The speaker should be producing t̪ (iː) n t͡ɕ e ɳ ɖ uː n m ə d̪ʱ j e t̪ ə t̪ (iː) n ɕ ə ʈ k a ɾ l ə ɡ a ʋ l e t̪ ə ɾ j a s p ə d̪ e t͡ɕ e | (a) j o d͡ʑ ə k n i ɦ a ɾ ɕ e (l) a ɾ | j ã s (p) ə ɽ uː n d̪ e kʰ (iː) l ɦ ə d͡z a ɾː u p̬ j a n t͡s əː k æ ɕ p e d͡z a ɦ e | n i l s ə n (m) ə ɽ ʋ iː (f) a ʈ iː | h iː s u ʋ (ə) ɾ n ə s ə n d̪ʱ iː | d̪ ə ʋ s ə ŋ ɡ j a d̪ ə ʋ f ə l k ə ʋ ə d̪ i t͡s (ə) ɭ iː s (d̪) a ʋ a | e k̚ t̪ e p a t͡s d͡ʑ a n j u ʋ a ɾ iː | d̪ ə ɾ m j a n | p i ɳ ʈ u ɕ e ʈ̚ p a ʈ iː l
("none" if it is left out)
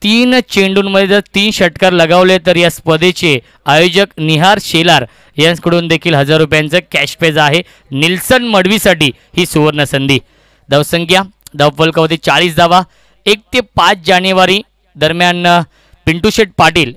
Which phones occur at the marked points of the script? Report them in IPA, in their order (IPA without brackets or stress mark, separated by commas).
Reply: iː, iː, a, l, k, iː, m, s, ə, a, d̪